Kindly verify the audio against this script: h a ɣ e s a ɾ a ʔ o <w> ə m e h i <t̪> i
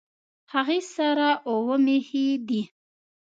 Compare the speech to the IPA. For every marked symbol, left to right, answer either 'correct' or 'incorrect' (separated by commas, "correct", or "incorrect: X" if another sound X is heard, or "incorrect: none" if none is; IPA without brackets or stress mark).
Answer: correct, incorrect: d̪